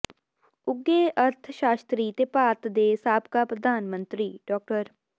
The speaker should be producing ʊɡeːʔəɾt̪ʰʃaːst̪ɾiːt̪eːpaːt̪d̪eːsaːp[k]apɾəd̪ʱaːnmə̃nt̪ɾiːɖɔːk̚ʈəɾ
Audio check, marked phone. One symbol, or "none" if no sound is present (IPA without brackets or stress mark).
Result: k